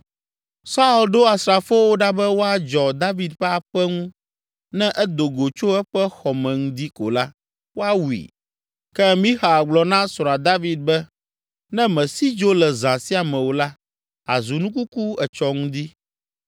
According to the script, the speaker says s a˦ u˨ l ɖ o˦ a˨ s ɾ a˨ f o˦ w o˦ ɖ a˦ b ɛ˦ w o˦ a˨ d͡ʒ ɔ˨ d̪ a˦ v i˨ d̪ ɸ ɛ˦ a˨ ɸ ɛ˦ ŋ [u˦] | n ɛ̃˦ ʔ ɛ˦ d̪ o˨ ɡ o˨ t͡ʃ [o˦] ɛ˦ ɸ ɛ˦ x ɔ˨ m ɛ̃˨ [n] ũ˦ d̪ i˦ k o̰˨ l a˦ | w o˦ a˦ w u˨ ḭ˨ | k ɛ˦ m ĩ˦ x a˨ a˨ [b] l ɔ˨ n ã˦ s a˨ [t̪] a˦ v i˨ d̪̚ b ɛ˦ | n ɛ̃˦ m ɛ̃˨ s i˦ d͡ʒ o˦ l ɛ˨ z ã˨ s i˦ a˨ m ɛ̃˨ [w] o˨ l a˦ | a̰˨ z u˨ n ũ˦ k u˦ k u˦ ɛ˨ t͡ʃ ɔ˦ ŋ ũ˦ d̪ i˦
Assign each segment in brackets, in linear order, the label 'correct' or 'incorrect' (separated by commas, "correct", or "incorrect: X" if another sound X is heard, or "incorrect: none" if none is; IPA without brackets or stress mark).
incorrect: ũ˦, correct, incorrect: ŋ, incorrect: ɡ͡b, incorrect: d̪, correct